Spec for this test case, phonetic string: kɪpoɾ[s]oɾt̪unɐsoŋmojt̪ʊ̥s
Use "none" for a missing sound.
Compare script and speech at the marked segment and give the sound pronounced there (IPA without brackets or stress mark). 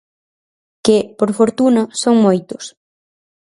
f